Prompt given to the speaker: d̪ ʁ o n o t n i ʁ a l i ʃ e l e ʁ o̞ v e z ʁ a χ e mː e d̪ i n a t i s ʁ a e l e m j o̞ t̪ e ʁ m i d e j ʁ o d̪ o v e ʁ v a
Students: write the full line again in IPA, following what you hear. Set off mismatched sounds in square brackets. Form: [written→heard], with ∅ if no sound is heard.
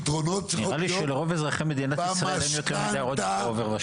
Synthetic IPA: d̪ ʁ o n o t n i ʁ a l i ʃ e l e ʁ o̞ v e z ʁ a χ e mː e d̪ i n a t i s ʁ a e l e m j o̞ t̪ e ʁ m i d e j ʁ o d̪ o v e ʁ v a